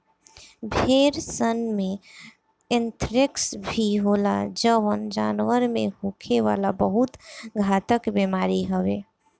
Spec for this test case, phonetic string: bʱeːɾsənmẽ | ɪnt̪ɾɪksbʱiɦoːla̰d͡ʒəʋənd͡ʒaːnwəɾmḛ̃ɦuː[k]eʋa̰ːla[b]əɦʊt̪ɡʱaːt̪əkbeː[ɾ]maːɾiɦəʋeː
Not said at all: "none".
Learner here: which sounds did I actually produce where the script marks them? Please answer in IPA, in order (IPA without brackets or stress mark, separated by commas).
kʰ, b, none